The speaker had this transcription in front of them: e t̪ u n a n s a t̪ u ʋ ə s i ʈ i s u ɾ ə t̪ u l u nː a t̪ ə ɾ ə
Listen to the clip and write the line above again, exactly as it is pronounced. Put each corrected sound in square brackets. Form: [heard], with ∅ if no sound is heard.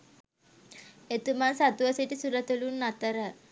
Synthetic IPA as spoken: e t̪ u [m] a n s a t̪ u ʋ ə s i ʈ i s u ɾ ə t̪ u l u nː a t̪ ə ɾ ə